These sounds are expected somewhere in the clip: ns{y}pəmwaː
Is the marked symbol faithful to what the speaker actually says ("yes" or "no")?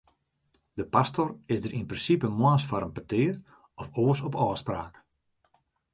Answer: no